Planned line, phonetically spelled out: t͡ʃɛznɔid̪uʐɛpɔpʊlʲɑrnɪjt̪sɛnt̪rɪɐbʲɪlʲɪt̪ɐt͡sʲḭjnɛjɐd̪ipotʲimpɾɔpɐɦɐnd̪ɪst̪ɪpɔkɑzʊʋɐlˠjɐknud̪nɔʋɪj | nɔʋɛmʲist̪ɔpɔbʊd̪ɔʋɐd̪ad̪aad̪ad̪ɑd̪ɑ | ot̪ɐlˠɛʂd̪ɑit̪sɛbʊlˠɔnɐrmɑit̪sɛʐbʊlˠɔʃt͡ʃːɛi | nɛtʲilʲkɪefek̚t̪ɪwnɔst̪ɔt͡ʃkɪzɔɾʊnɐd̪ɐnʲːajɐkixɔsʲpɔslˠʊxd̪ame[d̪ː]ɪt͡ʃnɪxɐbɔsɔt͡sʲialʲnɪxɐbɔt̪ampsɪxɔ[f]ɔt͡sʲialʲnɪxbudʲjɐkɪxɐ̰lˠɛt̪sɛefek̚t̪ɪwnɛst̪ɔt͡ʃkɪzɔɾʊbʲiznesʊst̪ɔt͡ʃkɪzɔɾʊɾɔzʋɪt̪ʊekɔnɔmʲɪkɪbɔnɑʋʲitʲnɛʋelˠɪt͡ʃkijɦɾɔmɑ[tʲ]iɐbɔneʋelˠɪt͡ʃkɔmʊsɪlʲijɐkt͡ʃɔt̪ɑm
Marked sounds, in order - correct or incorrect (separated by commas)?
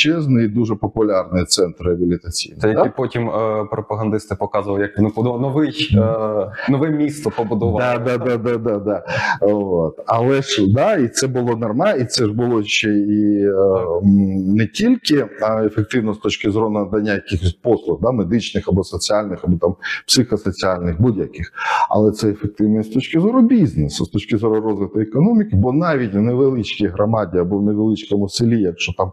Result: incorrect, incorrect, incorrect